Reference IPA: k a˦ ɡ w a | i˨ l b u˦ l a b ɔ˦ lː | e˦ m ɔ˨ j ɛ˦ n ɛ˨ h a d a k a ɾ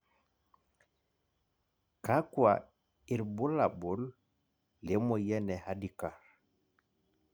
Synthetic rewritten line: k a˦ k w a | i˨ ɾ b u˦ l a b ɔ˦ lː | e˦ m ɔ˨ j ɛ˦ n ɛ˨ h a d i k a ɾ